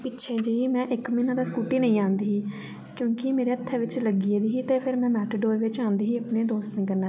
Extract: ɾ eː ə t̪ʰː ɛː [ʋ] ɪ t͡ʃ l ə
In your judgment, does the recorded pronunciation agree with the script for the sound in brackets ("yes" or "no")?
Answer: yes